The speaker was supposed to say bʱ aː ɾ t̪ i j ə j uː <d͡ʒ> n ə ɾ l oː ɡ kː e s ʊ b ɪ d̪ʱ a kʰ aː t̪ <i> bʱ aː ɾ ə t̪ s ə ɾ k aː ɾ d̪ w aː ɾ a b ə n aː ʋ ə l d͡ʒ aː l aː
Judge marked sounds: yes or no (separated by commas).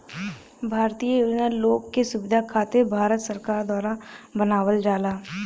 yes, no